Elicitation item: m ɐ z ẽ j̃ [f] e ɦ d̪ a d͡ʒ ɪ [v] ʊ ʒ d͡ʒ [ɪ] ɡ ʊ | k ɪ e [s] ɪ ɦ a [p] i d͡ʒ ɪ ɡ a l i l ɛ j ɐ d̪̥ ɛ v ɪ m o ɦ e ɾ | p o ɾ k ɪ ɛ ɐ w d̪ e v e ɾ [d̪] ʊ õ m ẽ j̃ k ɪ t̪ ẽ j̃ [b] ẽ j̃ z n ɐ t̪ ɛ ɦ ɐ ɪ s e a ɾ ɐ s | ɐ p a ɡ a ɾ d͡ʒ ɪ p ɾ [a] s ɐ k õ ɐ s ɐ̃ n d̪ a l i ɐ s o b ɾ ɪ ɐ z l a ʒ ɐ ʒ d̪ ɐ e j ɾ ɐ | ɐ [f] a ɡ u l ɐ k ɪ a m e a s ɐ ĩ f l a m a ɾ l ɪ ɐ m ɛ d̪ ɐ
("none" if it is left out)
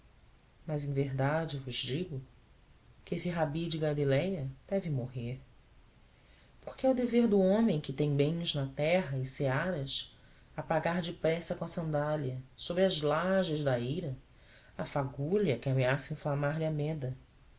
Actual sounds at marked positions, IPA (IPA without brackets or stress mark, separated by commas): v, v, i, s, b, d̪, b, ɛ, f